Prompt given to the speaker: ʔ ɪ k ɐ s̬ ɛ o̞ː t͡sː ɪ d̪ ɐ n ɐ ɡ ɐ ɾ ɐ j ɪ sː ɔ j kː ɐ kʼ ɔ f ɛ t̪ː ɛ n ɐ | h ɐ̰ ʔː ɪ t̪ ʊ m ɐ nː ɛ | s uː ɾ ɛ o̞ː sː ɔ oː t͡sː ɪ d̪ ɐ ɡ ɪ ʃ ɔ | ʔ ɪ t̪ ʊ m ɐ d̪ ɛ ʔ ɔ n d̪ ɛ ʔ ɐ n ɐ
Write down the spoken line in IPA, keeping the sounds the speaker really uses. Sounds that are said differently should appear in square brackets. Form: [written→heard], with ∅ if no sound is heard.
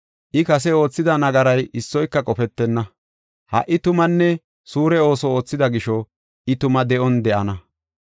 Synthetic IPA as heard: ʔ ɪ k ɐ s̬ ɛ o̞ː t͡sː ɪ d̪ ɐ n ɐ ɡ ɐ ɾ ɐ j ɪ sː ɔ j kː ɐ kʼ ɔ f ɛ t̪ː ɛ [n→nː] ɐ | h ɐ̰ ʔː ɪ t̪ ʊ m ɐ nː ɛ | s uː ɾ ɛ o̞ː [sː→s] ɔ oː t͡sː ɪ d̪ ɐ ɡ ɪ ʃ ɔ | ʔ ɪ t̪ ʊ m ɐ d̪ ɛ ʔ ɔ n d̪ ɛ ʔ ɐ n ɐ